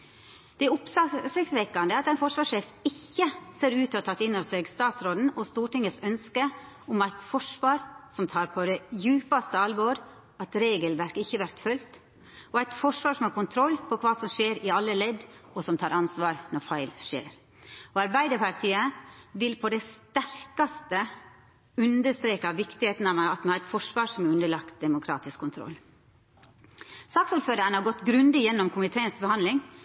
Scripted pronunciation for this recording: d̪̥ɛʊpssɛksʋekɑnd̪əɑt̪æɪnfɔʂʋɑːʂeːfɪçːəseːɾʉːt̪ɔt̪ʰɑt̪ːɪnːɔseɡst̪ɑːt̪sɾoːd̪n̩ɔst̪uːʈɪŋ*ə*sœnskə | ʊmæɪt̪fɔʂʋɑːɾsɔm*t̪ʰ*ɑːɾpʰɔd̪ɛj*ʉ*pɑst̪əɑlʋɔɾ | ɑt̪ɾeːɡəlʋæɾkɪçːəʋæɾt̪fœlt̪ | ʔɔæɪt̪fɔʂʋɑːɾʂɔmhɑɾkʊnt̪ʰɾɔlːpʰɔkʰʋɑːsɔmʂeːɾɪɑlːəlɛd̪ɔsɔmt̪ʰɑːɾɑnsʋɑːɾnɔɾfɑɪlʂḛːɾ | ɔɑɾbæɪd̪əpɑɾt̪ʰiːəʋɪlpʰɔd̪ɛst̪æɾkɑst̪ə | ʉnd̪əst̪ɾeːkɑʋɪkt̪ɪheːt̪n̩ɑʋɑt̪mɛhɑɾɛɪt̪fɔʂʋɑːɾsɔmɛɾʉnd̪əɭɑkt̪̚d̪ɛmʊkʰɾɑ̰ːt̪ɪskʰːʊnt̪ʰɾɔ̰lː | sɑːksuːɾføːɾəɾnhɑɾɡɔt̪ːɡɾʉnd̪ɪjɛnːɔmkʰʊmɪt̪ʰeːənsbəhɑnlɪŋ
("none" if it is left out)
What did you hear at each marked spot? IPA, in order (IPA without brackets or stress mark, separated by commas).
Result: ə, t̪ʰ, ʉː